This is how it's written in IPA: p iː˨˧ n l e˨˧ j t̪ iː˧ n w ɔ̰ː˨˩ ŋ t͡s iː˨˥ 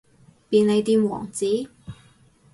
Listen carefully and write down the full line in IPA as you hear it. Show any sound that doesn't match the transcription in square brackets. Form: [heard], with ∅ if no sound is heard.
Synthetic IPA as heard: p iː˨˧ n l e˨˧ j t̪ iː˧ [m] w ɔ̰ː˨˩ ŋ t͡s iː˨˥